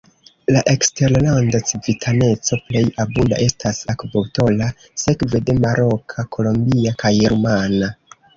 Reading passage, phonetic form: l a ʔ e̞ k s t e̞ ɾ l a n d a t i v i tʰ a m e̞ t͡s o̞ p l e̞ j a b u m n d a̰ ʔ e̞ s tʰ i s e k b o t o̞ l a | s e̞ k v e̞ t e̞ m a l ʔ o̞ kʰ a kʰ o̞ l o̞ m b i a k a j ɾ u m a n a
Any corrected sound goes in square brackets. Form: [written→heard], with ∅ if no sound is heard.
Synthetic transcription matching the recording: l a ʔ e̞ k s t e̞ ɾ l a n d a [t→t͡s] i v i tʰ a [m→n] e̞ t͡s o̞ p l e̞ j a b u [m→∅] n d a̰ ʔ e̞ s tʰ [i→a] s [e→a] k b o t o̞ l a | s e̞ k v e̞ [t→d] e̞ m a [l→ɾ] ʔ o̞ kʰ a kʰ o̞ l o̞ m b i a k a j ɾ u m a n a